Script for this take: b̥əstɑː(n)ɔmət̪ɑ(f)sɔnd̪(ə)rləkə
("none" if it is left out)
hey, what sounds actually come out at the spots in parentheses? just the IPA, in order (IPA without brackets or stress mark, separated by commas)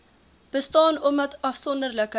n, f, ə